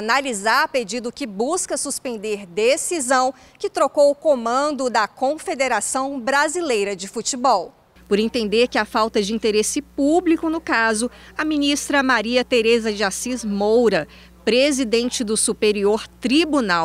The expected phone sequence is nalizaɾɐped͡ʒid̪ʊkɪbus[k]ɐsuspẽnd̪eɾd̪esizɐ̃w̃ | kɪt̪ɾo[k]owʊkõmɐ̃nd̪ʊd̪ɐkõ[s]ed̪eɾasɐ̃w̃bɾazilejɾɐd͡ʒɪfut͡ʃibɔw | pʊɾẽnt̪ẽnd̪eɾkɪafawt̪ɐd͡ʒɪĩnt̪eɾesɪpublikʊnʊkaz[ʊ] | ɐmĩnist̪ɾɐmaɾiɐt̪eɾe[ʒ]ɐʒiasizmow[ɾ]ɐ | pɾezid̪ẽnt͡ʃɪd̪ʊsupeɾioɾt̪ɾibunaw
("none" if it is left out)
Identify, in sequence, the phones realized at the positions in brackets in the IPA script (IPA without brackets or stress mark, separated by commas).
k, k, f, ʊ, z, ɾ